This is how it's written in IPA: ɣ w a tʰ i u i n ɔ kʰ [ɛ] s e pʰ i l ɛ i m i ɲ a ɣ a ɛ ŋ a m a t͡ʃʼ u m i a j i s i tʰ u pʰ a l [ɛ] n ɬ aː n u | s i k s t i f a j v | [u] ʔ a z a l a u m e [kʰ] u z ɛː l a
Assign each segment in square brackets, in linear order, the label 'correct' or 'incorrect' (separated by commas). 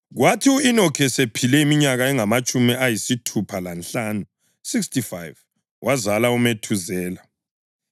correct, incorrect, incorrect, incorrect